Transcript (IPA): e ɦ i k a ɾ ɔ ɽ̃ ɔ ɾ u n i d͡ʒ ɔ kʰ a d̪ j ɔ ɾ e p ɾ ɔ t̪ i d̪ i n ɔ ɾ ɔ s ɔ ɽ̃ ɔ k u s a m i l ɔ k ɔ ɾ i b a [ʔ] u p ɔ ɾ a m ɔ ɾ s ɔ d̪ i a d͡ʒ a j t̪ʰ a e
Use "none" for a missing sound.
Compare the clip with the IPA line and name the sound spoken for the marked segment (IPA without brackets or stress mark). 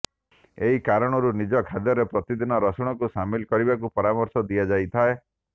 k